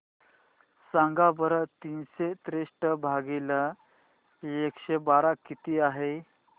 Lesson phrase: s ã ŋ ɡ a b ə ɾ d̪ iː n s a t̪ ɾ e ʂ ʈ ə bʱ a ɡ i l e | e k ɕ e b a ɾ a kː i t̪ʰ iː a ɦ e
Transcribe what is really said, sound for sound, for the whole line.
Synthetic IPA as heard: s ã ŋ ɡ a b ə ɾ t̪ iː n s e t̪ ɾ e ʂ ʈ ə bʱ a ɡ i l a | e k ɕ e b a ɾ a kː i t̪ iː a ɦ e